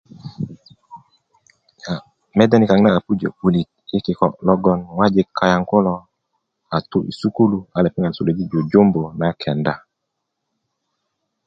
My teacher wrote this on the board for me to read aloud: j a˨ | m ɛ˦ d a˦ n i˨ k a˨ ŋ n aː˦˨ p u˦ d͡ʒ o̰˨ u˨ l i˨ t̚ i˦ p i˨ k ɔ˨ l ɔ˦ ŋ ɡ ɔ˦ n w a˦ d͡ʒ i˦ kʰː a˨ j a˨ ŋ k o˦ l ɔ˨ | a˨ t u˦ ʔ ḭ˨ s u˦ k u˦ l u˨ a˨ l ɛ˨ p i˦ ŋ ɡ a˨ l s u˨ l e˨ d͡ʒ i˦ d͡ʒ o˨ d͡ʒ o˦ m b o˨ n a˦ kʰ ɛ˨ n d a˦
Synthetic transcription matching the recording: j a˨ | m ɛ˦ d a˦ n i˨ k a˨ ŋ n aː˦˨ p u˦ d͡ʒ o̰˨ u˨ l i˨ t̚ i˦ k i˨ k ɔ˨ l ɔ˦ ɡ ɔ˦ n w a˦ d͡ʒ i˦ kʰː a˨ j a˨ ŋ k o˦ l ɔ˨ | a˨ t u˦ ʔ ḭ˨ s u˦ k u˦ l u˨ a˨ l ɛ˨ p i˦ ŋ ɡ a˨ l s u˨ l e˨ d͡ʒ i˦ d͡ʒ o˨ d͡ʒ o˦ m b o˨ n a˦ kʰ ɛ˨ n d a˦